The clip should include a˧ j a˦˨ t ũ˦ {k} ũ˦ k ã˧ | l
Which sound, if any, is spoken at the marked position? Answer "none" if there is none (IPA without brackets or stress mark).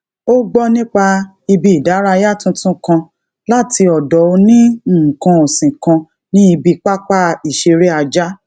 t